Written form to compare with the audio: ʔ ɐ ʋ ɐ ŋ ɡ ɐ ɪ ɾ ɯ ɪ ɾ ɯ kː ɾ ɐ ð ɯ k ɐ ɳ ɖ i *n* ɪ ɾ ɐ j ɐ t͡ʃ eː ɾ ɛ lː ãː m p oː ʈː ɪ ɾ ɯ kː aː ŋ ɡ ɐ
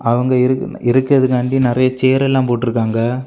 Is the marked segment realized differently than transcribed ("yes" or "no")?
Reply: no